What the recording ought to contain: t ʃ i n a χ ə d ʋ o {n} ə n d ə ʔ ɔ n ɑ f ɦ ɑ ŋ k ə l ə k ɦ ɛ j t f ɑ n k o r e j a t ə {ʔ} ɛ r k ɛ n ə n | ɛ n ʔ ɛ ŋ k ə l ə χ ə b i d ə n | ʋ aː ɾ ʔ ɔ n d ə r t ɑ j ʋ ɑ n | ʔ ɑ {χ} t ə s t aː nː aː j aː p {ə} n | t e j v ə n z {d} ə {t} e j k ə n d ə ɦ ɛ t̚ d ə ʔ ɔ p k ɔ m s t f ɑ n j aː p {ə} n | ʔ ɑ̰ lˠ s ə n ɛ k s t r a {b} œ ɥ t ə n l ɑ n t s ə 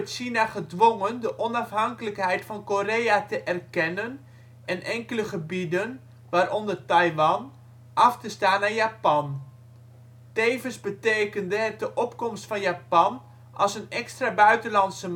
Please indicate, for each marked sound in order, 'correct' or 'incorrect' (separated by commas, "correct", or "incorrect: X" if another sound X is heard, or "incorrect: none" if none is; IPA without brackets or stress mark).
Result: incorrect: ŋ, correct, incorrect: f, incorrect: ɑ, incorrect: b, correct, incorrect: ɑ, correct